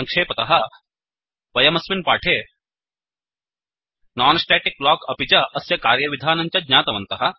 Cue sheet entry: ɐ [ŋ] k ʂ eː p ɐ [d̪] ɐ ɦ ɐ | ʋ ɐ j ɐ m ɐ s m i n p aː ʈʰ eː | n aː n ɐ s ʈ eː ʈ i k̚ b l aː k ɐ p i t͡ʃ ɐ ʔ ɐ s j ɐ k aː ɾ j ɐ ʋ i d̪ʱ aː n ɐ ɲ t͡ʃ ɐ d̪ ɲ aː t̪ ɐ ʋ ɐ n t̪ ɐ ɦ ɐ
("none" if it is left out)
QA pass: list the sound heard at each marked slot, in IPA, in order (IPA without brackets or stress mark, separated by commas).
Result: ŋ, t̪